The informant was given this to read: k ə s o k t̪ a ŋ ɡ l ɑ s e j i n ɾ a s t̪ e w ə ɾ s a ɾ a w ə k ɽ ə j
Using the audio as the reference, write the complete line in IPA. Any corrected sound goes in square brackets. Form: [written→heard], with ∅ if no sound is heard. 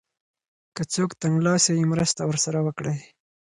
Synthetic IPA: k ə [s→t͡s] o k t̪ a ŋ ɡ l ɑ s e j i [n→m] ɾ [a→ə] s t̪ [e→a] w ə ɾ s a ɾ a w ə k ɽ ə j